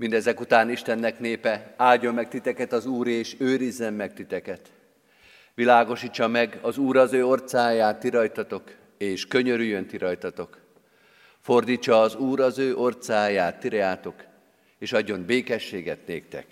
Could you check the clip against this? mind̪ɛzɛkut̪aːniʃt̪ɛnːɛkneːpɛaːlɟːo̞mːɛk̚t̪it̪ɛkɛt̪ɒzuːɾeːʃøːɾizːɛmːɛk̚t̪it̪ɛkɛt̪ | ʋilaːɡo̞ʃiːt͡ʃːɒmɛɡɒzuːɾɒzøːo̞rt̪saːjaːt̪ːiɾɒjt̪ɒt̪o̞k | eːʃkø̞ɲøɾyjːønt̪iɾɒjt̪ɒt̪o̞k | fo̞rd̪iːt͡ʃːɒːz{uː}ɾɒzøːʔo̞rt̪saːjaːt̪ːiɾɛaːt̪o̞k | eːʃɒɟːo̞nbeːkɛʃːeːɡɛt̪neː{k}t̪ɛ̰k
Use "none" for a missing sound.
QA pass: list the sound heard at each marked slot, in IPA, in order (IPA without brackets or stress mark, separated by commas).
uː, k